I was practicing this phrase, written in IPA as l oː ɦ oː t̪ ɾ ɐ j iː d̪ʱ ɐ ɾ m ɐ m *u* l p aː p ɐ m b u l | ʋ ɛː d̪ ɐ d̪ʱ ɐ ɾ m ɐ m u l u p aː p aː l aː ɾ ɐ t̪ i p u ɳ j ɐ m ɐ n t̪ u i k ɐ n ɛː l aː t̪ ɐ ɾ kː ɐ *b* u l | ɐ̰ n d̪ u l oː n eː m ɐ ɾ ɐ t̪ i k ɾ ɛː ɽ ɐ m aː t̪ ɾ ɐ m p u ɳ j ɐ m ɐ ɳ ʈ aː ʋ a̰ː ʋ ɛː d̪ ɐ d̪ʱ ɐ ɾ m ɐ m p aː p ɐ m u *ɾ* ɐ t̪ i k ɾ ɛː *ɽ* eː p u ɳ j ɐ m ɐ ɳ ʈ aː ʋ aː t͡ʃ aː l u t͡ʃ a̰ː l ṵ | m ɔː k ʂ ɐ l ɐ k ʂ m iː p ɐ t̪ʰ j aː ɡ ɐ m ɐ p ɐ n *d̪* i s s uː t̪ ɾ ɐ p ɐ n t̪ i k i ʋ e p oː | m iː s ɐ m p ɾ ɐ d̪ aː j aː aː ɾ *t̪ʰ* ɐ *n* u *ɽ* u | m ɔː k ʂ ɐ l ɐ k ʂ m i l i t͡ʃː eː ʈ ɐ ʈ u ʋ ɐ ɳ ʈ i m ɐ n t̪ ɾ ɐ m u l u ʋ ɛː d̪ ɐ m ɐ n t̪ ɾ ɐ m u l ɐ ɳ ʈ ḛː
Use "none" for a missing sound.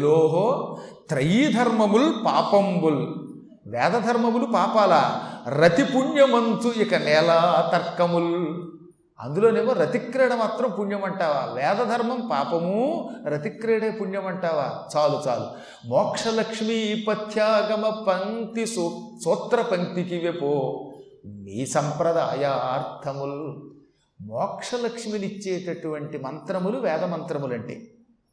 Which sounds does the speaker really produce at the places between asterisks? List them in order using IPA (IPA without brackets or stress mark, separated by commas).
u, m, ɾ, ɽ, t̪, t̪ʰ, m, l